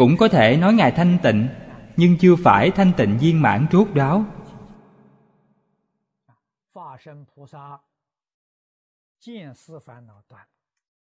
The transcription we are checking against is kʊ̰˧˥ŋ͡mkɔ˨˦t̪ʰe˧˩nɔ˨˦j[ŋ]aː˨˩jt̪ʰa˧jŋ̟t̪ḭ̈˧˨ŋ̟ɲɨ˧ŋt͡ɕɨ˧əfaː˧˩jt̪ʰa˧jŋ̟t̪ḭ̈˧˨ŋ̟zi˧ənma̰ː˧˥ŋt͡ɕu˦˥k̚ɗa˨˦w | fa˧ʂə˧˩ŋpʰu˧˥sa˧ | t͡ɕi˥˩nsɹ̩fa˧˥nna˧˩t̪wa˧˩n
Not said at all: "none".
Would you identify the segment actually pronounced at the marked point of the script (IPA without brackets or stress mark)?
ŋ